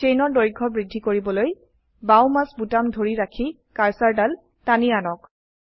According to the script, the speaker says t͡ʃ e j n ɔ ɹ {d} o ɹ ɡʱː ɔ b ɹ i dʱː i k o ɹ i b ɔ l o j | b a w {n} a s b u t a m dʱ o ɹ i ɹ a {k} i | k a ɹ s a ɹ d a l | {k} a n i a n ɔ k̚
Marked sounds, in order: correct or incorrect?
correct, incorrect: m, incorrect: kʰ, incorrect: t

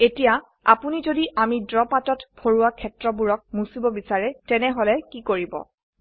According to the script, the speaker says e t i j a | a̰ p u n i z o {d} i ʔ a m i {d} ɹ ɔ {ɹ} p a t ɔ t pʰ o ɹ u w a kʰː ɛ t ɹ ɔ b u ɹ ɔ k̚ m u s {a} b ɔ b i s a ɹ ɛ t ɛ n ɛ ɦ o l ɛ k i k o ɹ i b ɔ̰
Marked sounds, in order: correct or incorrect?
correct, correct, incorrect: none, incorrect: i

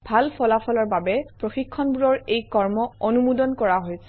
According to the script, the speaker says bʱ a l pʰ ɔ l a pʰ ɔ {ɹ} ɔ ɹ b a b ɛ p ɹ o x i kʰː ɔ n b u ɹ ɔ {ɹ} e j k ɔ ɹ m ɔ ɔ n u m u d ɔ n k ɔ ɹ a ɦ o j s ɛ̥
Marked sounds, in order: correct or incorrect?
incorrect: l, correct

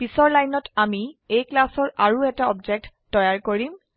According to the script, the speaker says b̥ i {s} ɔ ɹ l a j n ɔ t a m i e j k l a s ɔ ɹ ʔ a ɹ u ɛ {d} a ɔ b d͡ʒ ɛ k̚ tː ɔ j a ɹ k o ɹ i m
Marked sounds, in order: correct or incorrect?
correct, incorrect: t

